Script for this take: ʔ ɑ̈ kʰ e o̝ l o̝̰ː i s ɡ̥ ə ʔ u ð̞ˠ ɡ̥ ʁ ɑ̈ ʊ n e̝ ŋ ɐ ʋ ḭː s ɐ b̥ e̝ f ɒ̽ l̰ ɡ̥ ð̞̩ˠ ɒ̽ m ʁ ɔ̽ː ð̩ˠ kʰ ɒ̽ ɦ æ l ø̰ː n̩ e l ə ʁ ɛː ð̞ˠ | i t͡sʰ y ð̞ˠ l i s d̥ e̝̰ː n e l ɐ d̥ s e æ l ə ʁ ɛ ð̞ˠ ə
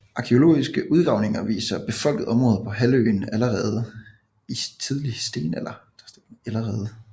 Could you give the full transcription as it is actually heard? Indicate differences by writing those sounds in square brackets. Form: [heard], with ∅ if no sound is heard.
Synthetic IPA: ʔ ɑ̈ kʰ e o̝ l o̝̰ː i s ɡ̥ ə ʔ u ð̞ˠ ɡ̥ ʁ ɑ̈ ʊ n e̝ ŋ ɐ ʋ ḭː s ɐ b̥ e̝ f ɒ̽ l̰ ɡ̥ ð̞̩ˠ ɒ̽ m ʁ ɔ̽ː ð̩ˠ [pʰ] ɒ̽ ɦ æ l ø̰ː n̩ [æ] l ə ʁ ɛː ð̞ˠ | i t͡sʰ [i] ð̞ˠ l i s d̥ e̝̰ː n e l ɐ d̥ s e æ l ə ʁ [ɛː] ð̞ˠ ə